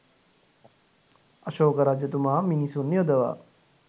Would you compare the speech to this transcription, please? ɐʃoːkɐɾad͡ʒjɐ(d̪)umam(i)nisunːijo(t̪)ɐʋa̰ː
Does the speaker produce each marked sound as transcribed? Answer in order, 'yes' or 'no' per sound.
no, yes, no

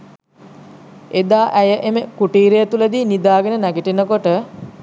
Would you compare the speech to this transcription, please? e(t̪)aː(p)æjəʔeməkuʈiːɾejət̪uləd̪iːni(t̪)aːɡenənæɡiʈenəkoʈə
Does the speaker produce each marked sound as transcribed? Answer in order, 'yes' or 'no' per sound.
no, no, no

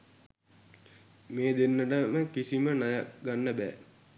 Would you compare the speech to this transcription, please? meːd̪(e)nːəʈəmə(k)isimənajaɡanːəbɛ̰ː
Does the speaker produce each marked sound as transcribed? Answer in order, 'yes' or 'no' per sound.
yes, yes

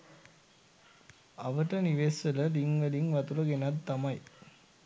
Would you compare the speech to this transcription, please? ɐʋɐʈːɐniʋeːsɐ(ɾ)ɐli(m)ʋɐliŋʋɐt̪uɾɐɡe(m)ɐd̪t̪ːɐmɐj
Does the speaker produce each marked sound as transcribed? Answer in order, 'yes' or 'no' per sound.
no, no, no

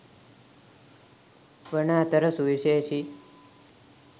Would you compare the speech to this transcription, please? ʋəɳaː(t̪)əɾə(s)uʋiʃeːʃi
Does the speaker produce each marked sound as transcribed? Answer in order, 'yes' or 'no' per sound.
yes, yes

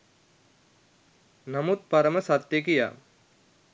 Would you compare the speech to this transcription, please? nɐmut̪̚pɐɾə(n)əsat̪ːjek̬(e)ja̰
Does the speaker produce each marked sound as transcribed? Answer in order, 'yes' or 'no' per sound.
no, no

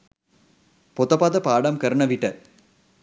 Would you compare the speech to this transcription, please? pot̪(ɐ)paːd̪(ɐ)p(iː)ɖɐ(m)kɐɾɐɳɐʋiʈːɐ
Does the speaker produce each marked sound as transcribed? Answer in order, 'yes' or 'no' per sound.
yes, yes, no, yes

